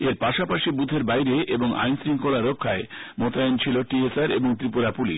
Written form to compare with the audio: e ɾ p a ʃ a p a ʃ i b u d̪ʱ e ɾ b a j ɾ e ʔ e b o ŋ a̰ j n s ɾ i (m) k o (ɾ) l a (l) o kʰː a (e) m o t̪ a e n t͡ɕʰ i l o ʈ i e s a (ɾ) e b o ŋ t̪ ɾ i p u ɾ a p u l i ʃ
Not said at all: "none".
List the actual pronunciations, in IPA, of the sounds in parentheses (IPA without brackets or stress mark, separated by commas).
ŋ, none, ɾ, e, ɾ